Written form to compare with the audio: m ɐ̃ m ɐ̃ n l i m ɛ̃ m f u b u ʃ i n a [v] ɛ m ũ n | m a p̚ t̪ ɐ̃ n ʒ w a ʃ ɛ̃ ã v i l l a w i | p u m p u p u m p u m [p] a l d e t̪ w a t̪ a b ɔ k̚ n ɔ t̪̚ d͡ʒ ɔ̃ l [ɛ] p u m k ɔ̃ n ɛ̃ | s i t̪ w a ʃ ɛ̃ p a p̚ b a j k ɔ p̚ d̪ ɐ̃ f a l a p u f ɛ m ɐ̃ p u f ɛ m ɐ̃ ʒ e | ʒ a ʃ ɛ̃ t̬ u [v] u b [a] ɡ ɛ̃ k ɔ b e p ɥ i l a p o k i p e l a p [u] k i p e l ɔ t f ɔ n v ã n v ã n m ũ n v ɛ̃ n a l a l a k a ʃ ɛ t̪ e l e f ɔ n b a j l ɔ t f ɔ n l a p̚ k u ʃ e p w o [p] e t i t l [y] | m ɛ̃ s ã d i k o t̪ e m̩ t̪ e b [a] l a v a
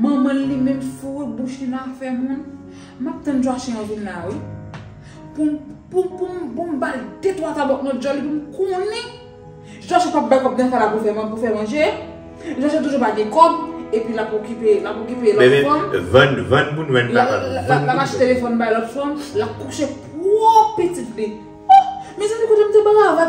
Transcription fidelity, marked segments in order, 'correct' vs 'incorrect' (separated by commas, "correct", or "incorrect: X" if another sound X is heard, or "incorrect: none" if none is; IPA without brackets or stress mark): incorrect: f, incorrect: b, incorrect: i, incorrect: ʒ, correct, incorrect: o, correct, incorrect: i, correct